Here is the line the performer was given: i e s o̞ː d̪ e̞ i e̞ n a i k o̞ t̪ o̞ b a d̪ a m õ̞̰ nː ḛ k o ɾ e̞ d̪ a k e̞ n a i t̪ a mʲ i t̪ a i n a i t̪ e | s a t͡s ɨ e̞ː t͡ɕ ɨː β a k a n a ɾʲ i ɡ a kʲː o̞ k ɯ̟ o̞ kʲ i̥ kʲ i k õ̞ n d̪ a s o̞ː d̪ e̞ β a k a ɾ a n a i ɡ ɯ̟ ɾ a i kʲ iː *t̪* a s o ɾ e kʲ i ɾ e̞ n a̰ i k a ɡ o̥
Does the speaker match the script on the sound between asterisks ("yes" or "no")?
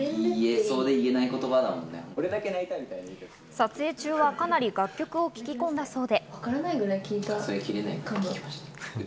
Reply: yes